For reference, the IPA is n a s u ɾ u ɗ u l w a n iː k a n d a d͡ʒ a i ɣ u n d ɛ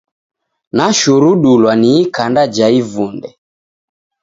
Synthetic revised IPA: n a ʃ u ɾ u ɗ u l w a n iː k a n d a d͡ʒ a i v u n d ɛ